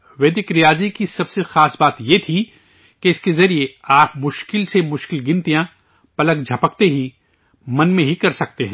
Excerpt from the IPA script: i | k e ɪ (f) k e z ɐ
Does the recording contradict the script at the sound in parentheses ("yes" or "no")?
yes